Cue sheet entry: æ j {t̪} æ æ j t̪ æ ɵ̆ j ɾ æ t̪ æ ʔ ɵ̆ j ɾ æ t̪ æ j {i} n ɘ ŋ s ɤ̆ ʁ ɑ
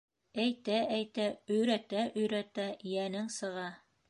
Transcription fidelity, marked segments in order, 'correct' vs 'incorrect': correct, incorrect: æ

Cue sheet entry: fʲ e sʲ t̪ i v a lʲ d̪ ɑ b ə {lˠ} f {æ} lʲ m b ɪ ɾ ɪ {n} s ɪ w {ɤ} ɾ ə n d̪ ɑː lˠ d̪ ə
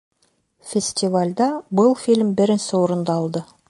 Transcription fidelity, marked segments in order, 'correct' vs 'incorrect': correct, incorrect: i, correct, incorrect: o

